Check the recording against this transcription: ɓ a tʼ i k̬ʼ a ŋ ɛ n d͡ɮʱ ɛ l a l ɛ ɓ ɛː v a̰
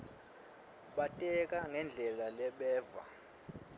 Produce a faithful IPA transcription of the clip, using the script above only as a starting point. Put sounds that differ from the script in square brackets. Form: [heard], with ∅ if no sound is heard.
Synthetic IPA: ɓ a tʼ [ɛ] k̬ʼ a ŋ ɛ n d͡ɮʱ ɛ l a l ɛ ɓ ɛː v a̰